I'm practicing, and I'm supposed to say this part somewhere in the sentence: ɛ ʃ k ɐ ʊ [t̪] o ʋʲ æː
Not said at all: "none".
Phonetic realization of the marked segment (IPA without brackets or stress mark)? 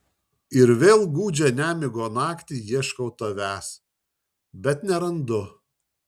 t̪